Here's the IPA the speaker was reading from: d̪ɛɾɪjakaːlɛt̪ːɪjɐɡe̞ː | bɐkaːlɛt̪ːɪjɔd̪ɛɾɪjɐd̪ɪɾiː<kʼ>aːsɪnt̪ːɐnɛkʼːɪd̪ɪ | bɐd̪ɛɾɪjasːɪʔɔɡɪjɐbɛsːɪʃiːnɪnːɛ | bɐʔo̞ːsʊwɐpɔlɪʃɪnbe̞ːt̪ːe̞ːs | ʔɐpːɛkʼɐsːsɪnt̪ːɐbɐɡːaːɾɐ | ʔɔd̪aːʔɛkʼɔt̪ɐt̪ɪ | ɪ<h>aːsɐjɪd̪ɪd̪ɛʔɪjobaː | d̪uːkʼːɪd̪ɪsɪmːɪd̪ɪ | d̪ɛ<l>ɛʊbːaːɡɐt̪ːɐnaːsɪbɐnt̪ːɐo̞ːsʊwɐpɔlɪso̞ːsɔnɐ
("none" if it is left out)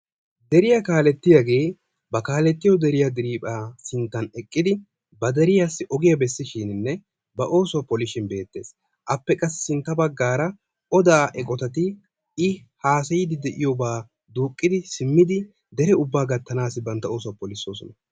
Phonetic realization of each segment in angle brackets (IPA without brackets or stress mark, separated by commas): pʼ, h, ɾ